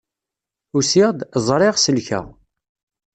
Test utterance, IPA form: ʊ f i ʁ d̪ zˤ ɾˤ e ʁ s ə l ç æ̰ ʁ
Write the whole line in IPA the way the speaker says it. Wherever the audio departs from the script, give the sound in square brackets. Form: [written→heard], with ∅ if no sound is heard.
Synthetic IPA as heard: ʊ [f→s] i ʁ d̪ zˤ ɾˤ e ʁ s ə l ç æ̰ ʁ